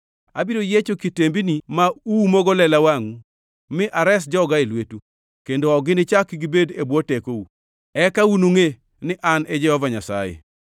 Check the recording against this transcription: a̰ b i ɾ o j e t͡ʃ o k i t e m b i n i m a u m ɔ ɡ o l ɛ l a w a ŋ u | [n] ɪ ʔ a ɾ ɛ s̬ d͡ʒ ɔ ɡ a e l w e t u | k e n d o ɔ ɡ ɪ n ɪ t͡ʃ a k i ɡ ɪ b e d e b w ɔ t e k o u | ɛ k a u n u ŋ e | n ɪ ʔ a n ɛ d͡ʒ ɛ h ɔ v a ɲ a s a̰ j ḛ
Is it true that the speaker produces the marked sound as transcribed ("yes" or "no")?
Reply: no